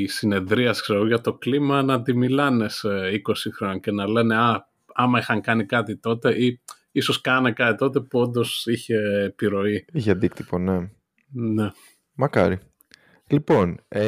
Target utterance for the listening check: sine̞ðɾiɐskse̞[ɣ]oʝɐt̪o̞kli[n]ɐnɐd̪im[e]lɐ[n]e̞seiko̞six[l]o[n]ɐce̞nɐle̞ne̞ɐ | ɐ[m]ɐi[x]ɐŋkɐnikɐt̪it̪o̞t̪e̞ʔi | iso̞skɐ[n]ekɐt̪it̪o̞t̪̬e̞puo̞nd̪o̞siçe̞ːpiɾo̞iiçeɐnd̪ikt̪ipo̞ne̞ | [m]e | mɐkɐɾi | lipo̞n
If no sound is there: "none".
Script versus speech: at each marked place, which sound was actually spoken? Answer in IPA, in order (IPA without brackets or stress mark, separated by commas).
ɣ, m, i, n, ɾ, n, m, x, n, n